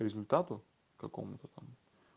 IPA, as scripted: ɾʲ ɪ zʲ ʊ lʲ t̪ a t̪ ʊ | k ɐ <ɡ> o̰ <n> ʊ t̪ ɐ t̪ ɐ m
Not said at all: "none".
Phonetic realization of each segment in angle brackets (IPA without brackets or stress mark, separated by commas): k, m